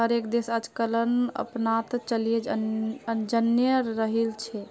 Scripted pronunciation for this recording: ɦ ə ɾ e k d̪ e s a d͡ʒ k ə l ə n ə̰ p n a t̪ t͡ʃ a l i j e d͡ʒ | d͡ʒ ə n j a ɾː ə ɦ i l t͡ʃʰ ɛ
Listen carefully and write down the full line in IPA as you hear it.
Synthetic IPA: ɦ ə ɾ e k d̪ e s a d͡ʒ k ə l ə n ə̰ p n a t̪ t͡ʃ ə l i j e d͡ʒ | d͡ʒ ə n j ə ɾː ə ɦ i l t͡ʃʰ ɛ